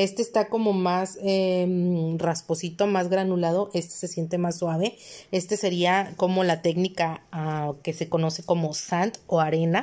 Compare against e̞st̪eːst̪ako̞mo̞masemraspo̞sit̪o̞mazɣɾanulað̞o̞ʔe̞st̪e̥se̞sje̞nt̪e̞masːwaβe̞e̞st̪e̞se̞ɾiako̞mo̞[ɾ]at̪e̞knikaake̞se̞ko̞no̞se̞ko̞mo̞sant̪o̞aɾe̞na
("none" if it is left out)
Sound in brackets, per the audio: l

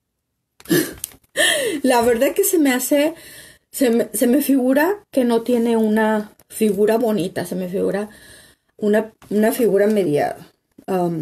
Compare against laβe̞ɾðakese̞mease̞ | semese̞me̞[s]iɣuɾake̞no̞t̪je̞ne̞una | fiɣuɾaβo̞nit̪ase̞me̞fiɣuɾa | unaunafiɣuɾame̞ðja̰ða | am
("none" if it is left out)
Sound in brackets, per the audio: f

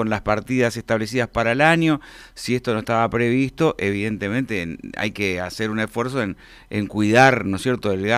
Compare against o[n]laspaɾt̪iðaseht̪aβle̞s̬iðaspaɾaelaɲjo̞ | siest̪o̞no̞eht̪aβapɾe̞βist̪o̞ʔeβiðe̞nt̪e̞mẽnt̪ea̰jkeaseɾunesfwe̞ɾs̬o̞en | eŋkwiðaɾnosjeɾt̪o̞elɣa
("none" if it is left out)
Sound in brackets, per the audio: n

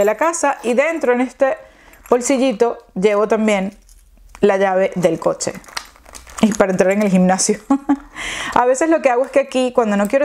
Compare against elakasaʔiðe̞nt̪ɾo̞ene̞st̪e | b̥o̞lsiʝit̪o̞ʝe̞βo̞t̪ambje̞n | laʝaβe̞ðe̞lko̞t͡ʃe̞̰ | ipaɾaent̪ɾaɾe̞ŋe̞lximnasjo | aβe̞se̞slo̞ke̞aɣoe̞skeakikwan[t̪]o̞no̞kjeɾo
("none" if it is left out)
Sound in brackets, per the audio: d̪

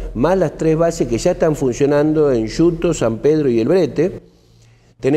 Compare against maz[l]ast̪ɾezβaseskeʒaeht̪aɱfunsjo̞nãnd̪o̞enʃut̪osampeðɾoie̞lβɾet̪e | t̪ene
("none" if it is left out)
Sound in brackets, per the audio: l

